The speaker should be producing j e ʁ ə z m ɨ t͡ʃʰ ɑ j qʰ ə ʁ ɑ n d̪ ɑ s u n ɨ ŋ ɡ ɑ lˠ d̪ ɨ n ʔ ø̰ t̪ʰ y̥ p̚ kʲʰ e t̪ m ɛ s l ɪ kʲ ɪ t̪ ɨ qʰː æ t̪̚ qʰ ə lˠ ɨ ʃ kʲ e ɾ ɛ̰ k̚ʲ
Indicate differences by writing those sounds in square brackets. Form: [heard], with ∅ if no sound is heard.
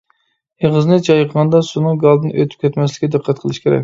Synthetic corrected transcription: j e ʁ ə z [n] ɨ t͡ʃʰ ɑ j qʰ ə ʁ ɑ n d̪ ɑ s u n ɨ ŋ ɡ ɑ lˠ d̪ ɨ n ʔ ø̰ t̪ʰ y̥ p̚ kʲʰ [ɛ] t̪ m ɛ s l ɪ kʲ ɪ [d̪] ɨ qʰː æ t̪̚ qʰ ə lˠ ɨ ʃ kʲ e ɾ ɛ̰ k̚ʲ